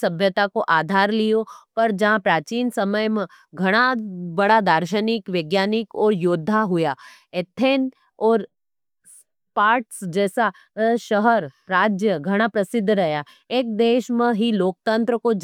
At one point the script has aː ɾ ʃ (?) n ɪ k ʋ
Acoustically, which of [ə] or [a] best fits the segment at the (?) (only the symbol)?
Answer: ə